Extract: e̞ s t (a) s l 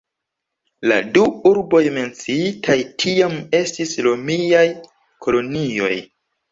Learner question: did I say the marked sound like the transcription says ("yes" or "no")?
no